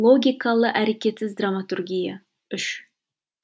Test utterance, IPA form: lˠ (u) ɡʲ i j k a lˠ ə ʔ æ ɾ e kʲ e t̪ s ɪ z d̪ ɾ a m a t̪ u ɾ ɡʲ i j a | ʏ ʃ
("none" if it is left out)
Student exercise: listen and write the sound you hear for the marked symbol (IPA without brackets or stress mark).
o